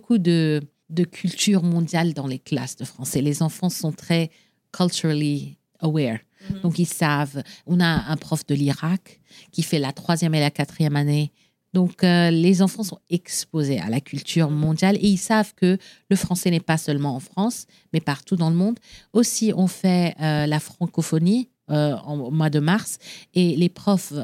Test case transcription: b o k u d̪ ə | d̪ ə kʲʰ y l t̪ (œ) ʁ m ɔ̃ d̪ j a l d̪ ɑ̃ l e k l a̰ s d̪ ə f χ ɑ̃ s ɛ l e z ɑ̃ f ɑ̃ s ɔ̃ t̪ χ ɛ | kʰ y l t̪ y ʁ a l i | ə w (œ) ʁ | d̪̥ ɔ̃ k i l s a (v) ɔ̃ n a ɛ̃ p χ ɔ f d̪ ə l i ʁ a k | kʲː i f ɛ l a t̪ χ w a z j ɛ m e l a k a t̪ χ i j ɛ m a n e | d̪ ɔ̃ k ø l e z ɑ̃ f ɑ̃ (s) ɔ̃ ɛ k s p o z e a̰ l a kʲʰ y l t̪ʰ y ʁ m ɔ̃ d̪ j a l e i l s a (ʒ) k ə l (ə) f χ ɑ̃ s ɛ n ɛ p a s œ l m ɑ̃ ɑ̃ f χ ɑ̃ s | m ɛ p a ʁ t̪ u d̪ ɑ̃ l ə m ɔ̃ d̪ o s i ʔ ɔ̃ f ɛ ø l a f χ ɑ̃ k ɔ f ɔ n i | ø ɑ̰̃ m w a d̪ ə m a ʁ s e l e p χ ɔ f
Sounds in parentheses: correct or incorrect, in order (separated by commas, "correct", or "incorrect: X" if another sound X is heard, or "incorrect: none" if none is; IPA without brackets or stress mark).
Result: incorrect: y, incorrect: ɛ, correct, correct, incorrect: v, correct